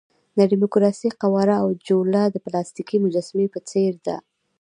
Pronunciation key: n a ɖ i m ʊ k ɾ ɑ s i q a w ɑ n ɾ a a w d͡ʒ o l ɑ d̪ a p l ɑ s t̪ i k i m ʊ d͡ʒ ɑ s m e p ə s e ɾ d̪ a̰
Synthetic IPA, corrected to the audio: n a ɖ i m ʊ k ɾ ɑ s i q a w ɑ ɾ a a w d͡ʒ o l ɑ d̪ ə p l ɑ s t̪ i k i m ʊ d͡ʒ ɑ s m e p ə t͡s e ɾ d̪ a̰